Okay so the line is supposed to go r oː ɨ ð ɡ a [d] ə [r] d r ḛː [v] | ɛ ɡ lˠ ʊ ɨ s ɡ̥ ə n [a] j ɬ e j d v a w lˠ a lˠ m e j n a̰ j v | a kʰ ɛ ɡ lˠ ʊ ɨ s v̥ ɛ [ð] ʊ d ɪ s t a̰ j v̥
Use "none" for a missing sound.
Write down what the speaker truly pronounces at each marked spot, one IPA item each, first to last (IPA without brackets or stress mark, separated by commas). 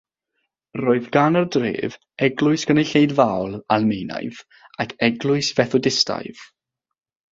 n, r, v, e, θ